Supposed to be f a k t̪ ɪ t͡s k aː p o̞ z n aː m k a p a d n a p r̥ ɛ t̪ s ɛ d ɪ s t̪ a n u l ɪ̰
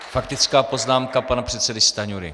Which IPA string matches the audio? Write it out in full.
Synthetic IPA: f a k t̪ ɪ t͡s k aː p o̞ z n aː m k a p a n a p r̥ ɛ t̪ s ɛ d ɪ s t̪ a ɲ u ɾ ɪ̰